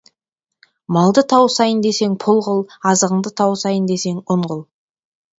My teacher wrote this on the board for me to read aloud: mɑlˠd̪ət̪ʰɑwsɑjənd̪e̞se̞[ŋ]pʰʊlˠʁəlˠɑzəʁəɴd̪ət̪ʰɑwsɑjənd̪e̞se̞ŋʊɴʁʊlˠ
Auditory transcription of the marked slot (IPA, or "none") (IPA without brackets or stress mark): ŋ